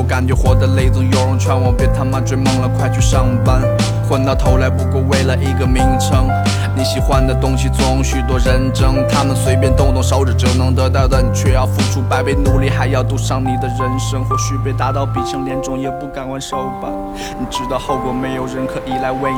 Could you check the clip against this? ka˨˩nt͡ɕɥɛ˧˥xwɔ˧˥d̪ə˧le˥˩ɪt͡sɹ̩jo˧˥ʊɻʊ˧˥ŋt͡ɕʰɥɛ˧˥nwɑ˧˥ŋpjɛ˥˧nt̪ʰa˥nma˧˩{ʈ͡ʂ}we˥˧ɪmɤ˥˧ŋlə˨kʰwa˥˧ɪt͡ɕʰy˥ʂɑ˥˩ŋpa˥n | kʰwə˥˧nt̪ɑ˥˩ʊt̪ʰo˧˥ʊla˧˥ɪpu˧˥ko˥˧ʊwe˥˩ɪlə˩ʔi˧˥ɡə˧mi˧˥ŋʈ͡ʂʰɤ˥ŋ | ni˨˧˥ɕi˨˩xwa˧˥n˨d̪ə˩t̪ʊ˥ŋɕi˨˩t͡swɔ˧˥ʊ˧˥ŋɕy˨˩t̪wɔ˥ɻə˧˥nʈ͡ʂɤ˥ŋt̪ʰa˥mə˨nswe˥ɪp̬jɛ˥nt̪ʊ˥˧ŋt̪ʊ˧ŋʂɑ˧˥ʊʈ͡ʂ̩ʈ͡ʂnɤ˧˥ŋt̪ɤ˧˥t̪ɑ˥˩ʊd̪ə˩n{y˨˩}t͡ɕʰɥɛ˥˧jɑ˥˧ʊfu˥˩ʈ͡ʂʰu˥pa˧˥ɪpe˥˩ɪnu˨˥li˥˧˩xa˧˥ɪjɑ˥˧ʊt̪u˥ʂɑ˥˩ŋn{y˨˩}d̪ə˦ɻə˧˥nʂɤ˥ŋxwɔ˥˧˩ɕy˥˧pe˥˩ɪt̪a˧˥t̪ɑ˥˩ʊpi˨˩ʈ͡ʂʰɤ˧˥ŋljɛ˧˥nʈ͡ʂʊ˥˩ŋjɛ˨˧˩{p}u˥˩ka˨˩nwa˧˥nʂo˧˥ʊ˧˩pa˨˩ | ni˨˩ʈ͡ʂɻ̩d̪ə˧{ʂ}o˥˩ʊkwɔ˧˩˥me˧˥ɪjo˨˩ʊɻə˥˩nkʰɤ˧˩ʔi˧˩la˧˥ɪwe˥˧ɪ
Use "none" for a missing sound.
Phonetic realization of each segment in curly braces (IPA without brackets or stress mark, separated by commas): ʈ͡ʂ, i˨˩, i˨˩, p, x